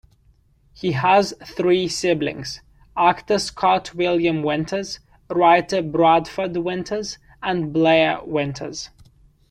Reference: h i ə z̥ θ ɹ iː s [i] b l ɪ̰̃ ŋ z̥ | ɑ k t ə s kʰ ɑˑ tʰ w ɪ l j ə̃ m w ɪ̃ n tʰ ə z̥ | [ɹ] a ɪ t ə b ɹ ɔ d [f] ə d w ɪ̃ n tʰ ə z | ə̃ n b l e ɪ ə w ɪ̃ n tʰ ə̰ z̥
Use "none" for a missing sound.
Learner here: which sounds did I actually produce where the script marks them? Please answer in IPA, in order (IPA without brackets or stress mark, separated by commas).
ɪ, ɹ, f